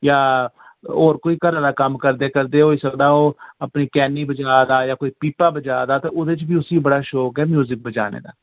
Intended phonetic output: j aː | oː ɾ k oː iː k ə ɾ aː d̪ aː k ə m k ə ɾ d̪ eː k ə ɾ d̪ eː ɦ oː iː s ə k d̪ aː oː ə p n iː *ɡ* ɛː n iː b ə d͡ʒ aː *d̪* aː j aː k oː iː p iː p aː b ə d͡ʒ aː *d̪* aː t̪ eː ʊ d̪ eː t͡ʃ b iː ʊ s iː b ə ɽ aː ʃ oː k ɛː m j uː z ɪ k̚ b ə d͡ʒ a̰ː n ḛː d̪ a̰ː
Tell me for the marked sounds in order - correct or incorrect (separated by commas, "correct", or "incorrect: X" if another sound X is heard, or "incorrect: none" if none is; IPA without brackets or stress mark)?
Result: incorrect: k, correct, correct